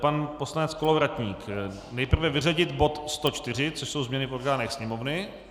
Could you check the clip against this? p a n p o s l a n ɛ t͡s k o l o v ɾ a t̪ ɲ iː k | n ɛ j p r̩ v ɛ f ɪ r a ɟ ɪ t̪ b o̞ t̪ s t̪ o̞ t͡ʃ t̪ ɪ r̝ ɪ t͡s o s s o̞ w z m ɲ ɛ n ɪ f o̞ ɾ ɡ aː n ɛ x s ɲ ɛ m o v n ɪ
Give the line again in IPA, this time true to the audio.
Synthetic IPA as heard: p a n p o s l a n ɛ t͡s k o l o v ɾ a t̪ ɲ iː k | n ɛ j p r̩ v ɛ v ɪ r a ɟ ɪ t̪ b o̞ t̪ s t̪ o̞ t͡ʃ t̪ ɪ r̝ ɪ t͡s o ʃ s o̞ w z m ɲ ɛ n ɪ f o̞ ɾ ɡ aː n ɛ x s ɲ ɛ m o v n ɪ